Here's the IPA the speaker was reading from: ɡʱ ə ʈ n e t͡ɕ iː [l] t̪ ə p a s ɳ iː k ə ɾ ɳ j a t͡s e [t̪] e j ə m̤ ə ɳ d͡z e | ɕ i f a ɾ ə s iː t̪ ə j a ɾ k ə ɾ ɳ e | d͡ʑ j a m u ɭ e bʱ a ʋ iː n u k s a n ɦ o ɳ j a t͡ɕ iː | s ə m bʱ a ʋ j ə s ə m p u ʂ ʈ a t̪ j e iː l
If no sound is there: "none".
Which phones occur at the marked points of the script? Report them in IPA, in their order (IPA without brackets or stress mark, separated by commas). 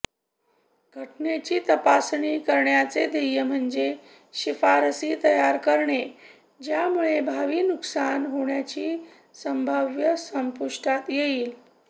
none, d̪